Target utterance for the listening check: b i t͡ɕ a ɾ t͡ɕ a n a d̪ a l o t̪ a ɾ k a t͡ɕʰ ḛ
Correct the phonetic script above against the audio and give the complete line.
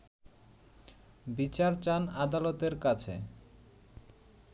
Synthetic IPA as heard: b i t͡ɕ a ɾ t͡ɕ a n a d̪ a l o t̪ e ɾ k a t͡ɕʰ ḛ